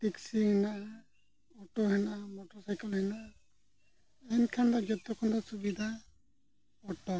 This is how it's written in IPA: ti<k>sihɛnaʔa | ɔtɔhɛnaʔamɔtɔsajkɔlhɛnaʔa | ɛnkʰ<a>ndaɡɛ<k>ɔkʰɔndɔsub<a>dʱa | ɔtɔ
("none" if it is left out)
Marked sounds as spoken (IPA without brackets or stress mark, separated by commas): k, a, t, i